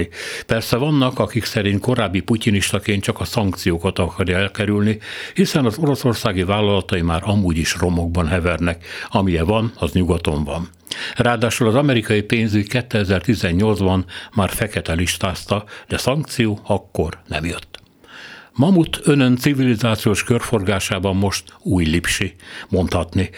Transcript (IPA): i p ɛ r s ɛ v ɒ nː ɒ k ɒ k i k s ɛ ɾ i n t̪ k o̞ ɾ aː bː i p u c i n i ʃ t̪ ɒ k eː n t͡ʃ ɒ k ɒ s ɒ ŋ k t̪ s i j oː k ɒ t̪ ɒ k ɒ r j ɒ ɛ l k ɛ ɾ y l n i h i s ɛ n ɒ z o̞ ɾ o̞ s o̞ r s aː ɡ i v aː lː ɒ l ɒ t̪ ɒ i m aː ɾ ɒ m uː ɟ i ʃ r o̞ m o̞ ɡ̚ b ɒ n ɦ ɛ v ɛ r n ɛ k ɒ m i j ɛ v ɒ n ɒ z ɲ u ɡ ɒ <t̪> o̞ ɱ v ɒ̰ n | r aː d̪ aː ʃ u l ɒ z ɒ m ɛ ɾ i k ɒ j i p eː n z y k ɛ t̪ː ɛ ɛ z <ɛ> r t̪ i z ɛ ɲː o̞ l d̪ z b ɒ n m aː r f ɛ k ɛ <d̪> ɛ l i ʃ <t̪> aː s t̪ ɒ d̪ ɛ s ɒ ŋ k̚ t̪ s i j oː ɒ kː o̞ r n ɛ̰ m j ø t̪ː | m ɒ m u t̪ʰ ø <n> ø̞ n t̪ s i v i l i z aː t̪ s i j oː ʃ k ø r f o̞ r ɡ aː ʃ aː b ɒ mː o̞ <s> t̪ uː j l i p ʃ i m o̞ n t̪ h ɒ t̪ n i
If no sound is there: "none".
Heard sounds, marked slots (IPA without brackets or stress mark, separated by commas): t̪, ɛ, t̪, t̪, n, ʃ